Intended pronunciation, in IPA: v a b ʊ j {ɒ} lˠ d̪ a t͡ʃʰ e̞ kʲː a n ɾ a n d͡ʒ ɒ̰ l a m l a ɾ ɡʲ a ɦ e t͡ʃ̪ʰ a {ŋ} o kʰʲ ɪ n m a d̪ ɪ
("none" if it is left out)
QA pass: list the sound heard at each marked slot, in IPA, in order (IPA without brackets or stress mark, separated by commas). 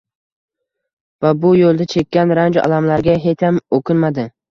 o, m